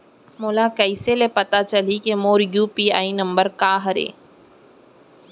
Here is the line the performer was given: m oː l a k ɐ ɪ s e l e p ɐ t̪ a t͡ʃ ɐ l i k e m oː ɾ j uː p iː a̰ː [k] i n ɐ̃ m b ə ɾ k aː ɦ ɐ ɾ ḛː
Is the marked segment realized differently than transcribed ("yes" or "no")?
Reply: yes